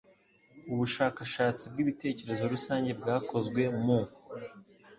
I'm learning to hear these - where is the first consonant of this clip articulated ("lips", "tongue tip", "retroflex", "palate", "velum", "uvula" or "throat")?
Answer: lips